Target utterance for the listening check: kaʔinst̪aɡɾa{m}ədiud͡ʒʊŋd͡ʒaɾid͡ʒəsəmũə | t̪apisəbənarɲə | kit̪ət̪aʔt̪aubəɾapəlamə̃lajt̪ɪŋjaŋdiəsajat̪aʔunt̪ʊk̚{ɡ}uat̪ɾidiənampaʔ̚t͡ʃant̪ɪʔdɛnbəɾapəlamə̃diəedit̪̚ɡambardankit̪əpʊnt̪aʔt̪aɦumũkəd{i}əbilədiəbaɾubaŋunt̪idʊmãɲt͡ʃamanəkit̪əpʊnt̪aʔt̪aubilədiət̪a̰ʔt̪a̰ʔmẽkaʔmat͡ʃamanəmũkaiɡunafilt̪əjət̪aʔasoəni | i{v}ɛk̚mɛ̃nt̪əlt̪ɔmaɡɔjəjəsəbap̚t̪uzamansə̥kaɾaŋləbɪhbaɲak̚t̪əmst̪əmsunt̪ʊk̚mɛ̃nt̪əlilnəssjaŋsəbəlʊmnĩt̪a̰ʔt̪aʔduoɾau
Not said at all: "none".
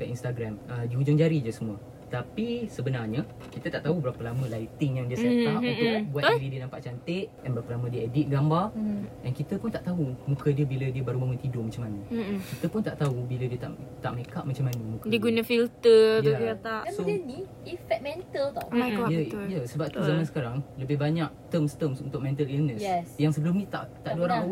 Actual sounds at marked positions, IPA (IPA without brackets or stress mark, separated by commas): m, b, i, f